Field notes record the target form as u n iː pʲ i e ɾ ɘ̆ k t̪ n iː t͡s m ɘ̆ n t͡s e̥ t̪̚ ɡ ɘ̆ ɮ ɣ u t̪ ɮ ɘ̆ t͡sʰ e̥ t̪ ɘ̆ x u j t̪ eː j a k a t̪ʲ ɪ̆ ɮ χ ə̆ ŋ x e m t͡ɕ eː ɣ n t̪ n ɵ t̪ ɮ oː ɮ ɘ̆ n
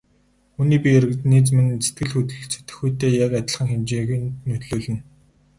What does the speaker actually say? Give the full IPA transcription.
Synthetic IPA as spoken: u n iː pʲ i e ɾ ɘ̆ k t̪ n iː t͡s m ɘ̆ n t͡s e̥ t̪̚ ɡ ɘ̆ ɮ x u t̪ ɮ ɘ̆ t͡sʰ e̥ t̪ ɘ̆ x u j t̪ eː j a k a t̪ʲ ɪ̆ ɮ χ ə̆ ŋ x e m t͡ɕ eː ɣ n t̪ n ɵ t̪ ɮ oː ɮ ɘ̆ n